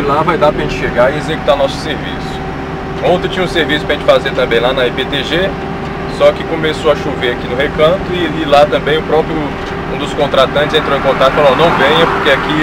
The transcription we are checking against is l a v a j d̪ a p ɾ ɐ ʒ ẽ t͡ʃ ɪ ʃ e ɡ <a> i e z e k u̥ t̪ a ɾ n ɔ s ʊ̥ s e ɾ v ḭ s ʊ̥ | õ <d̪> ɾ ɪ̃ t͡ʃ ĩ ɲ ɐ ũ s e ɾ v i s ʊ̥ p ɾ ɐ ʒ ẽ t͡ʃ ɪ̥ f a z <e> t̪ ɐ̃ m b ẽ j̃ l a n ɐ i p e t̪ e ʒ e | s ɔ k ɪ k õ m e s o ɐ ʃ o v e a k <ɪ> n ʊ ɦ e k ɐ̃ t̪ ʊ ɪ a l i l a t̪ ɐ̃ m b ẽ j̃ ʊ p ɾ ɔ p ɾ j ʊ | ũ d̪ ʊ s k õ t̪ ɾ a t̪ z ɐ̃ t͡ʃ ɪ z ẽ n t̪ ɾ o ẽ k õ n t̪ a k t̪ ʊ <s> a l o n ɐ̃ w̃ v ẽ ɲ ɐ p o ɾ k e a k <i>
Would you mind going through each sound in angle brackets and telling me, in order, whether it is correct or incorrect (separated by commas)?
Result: correct, incorrect, correct, incorrect, incorrect, correct